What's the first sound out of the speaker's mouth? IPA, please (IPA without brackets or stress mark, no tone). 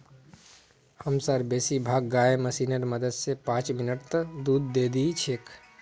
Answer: h